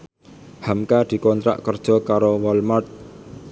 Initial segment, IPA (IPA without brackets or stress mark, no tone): h